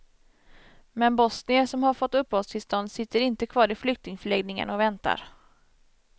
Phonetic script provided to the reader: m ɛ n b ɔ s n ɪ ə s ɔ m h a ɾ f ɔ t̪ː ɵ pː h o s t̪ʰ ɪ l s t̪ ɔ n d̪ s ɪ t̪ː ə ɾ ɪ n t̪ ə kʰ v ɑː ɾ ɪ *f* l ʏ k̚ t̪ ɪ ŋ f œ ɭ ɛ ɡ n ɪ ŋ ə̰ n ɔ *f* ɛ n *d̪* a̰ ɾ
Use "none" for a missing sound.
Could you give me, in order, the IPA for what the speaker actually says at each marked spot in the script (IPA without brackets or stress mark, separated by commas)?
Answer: f, v, t̪